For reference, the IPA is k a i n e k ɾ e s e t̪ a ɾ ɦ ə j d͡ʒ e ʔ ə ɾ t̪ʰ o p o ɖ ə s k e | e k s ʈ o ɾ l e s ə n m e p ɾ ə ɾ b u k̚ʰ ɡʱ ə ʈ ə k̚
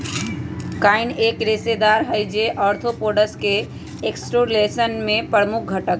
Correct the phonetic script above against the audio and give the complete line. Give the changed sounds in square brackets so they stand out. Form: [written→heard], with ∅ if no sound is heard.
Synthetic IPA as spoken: k a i n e k ɾ e s e [t̪→d̪] a ɾ ɦ ə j d͡ʒ e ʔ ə ɾ t̪ʰ o p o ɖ ə s k e | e k s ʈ o ɾ l e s ə n m e p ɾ ə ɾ [b→m] u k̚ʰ ɡʱ ə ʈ ə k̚